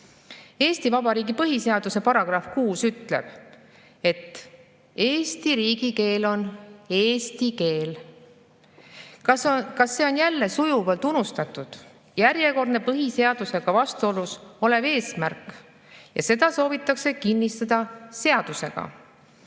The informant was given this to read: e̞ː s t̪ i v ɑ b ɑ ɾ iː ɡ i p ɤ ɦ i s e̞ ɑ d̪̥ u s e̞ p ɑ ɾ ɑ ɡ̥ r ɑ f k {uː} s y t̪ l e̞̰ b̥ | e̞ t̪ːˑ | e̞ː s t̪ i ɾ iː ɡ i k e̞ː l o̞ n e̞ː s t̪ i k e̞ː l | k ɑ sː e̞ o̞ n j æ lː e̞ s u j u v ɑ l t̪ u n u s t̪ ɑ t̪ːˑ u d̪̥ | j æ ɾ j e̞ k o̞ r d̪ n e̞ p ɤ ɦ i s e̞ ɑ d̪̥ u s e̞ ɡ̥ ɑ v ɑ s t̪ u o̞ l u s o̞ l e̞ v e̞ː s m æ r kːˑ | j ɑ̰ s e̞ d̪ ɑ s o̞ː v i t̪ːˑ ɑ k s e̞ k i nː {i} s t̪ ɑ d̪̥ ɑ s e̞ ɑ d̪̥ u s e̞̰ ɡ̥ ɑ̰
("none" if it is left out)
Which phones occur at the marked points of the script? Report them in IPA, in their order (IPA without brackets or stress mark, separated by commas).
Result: uː, i